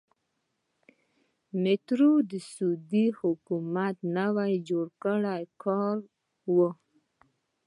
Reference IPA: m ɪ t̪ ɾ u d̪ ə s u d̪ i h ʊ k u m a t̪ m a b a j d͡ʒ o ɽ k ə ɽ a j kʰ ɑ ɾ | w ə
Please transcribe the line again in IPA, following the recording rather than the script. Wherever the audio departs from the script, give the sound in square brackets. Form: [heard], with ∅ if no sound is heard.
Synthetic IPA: m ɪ t̪ ɾ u d̪ ə s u d̪ i h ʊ k u m a t̪ [n] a [w] a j d͡ʒ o ɽ k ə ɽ a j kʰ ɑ ɾ | w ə